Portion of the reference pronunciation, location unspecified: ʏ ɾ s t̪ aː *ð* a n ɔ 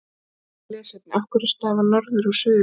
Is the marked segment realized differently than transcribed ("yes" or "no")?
yes